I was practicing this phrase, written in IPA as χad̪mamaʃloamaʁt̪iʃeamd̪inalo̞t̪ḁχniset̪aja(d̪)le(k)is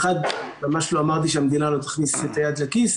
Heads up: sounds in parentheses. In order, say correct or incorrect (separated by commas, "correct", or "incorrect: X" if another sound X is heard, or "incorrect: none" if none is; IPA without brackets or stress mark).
correct, correct